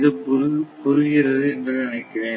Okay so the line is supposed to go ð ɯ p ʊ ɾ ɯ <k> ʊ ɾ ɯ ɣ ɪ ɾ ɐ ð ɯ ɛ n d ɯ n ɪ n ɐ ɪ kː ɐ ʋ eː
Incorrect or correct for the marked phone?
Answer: incorrect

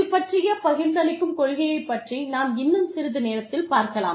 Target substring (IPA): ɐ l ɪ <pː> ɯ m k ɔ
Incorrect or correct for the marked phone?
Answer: incorrect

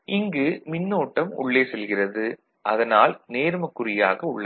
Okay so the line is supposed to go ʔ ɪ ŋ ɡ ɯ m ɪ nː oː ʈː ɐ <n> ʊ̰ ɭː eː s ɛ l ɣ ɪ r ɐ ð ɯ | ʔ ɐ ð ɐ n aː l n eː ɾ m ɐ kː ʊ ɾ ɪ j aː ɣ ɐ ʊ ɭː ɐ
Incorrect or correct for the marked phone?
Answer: incorrect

